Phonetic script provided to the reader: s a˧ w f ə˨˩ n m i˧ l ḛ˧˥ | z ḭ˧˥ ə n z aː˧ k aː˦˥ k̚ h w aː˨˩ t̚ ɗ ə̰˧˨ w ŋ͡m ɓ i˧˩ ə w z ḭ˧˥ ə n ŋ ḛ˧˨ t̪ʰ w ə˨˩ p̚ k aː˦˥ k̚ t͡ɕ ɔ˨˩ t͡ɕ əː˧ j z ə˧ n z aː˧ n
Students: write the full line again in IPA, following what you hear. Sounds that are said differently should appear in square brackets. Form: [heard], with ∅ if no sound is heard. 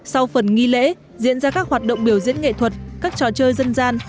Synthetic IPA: s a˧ w f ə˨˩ n [ŋ] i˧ l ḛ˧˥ | z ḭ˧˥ ə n z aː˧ k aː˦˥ k̚ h w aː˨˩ t̚ ɗ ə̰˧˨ w ŋ͡m ɓ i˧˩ ə w z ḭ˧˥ ə n ŋ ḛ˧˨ t̪ʰ w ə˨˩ [t̚] k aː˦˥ k̚ t͡ɕ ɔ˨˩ t͡ɕ əː˧ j z ə˧ n z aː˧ n